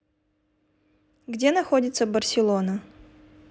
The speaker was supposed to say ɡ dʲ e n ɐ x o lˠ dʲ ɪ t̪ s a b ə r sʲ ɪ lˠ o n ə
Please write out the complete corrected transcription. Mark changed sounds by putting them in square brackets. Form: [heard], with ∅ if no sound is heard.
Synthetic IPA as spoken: ɡ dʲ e n ɐ x o [∅] dʲ ɪ t̪ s [ə] b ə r sʲ ɪ lˠ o n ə